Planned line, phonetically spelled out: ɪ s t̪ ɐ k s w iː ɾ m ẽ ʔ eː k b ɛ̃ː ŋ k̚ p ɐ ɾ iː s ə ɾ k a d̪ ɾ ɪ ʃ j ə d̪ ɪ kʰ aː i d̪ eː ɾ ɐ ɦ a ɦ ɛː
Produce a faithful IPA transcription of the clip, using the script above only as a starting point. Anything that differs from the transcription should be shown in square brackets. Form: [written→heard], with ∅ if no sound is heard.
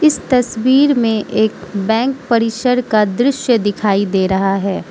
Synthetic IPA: ɪ s t̪ ɐ [k→∅] s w iː ɾ m ẽ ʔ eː k b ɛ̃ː ŋ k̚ p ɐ ɾ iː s ə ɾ k a d̪ ɾ ɪ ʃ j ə d̪ ɪ kʰ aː i d̪ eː ɾ ɐ ɦ a ɦ ɛː